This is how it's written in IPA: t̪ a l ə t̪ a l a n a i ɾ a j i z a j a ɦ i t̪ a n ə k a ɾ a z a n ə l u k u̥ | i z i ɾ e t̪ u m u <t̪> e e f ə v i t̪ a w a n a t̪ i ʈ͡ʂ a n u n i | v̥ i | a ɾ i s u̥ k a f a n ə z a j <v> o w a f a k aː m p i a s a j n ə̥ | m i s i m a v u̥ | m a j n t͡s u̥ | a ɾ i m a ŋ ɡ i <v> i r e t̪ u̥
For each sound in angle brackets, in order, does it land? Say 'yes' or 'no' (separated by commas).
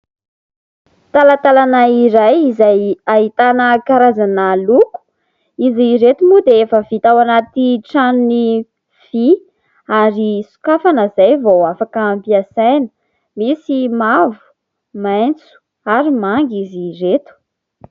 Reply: no, yes, no